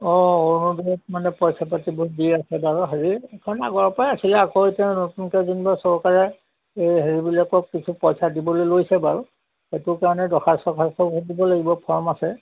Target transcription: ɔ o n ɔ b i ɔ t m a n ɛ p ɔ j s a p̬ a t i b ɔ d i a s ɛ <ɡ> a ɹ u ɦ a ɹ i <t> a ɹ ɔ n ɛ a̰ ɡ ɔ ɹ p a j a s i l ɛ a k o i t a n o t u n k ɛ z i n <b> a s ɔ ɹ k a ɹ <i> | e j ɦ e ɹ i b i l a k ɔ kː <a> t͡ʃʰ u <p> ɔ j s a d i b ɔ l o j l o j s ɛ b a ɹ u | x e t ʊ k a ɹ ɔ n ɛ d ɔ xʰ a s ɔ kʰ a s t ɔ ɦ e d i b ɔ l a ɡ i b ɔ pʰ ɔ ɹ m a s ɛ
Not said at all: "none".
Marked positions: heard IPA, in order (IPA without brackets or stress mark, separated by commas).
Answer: b, k, b, ɛ, i, p